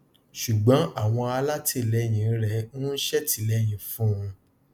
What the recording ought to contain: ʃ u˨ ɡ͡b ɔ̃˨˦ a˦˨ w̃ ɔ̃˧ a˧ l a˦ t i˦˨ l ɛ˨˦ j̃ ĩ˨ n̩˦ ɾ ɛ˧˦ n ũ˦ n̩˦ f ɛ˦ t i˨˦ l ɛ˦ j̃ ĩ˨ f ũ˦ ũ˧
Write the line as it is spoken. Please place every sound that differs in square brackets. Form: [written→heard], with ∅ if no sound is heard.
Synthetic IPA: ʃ u˨ ɡ͡b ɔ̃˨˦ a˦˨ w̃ ɔ̃˧ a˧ l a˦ t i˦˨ l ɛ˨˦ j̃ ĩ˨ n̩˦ ɾ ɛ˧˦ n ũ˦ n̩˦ [f→ʃ] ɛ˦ t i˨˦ l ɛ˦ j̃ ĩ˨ f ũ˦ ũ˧